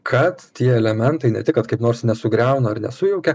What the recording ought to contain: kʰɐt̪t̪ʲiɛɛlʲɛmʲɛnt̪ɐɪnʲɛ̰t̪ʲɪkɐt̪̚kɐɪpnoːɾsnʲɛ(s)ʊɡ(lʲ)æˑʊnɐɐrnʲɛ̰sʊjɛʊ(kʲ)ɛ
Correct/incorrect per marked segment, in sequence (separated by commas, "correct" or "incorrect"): correct, incorrect, correct